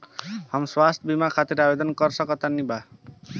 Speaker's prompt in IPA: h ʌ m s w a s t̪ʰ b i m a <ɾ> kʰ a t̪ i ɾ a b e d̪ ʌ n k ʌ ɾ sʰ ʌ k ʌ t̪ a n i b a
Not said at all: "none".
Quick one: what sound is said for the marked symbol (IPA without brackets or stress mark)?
none